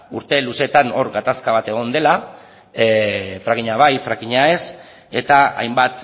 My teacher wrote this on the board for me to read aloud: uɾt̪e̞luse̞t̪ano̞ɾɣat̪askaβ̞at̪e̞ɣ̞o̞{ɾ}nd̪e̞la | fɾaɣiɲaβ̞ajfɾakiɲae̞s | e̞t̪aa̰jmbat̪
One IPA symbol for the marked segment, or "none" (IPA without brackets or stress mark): none